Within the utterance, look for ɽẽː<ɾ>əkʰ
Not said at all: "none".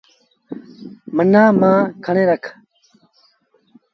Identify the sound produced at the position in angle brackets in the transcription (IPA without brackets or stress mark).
ɾ